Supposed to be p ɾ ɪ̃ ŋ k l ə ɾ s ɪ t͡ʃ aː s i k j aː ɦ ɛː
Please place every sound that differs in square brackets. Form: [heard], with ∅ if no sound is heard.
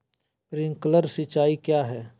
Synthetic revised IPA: p ɾ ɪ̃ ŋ k l ə ɾ s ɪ t͡ʃ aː [∅] i k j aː ɦ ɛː